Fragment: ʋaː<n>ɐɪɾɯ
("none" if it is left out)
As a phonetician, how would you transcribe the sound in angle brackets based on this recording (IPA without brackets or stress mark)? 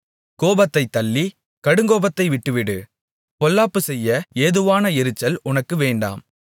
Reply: n